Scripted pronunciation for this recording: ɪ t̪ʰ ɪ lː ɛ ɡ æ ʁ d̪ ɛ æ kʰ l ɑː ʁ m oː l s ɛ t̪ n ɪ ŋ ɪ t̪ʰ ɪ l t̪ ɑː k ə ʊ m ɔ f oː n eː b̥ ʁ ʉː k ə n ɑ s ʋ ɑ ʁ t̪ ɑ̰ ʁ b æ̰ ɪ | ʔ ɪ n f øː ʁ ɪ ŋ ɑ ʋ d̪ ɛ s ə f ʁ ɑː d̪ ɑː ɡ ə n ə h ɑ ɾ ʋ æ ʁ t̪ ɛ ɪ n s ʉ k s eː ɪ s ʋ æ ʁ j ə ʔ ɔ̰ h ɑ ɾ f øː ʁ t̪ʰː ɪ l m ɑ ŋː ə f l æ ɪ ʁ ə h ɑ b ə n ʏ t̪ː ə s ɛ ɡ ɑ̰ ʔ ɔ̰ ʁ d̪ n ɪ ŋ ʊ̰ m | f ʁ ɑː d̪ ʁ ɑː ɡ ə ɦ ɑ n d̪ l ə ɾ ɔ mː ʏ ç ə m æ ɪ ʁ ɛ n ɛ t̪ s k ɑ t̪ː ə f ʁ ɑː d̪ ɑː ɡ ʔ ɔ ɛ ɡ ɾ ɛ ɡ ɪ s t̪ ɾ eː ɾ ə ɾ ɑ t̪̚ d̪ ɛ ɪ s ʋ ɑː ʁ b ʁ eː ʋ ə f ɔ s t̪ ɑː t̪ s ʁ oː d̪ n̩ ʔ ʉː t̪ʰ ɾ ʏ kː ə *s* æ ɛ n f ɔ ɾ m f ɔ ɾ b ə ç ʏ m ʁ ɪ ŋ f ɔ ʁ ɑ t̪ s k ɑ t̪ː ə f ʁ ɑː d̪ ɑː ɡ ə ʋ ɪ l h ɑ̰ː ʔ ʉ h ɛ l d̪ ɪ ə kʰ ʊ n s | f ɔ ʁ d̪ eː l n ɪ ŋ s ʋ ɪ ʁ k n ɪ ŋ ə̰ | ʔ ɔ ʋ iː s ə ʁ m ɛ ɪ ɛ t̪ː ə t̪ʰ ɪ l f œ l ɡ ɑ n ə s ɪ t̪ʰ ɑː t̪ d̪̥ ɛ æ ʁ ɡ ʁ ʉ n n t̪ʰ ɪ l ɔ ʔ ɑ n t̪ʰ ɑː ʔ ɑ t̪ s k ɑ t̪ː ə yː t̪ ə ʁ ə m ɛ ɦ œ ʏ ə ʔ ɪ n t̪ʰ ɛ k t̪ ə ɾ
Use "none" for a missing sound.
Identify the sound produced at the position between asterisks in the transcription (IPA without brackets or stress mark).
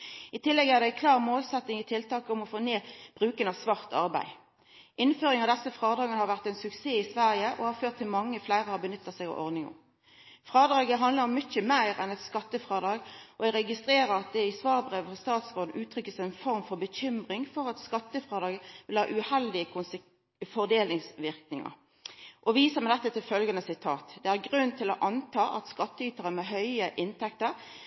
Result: s